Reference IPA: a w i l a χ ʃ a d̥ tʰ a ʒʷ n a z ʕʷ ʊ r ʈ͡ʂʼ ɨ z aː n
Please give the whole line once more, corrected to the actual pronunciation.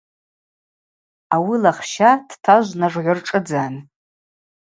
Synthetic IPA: a w i l a χ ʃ a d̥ tʰ a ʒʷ n a ʐ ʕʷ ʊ r ʈ͡ʂʼ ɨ d͡z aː n